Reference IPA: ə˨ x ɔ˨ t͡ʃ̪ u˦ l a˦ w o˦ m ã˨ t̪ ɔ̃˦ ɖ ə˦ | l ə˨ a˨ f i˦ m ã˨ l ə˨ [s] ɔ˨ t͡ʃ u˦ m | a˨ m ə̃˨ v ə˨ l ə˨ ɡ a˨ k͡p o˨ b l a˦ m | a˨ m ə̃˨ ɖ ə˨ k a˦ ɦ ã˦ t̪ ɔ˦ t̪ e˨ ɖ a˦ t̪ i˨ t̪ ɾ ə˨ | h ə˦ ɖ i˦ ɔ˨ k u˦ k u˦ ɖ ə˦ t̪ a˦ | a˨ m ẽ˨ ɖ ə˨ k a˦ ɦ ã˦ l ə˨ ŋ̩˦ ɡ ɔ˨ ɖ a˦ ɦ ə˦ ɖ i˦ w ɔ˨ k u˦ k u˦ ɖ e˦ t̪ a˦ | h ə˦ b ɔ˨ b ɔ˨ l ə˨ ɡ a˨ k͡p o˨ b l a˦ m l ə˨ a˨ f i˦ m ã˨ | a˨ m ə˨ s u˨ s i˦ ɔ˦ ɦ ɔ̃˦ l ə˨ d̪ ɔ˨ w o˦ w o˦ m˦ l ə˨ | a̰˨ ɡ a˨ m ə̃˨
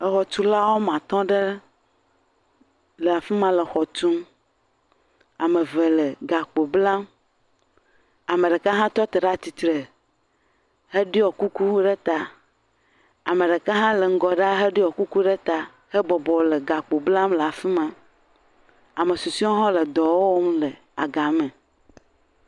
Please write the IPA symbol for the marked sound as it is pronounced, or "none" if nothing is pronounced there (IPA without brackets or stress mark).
x